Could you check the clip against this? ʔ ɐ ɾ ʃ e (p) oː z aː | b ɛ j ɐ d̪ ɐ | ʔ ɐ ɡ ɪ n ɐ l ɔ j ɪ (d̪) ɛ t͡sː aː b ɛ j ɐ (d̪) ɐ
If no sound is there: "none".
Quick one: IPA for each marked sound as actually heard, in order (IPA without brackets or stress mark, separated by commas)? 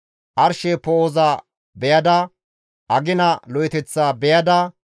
p, t̪, d̪